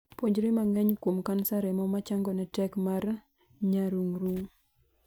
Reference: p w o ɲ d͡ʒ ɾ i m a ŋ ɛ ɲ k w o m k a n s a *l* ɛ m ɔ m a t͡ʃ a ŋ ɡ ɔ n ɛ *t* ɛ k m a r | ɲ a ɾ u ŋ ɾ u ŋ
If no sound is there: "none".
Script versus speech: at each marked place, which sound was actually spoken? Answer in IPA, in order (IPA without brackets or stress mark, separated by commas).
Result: ɾ, t